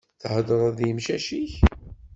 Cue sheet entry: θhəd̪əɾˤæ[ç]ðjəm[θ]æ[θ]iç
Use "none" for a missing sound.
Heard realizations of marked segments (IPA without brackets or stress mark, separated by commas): none, ʃ, ʃ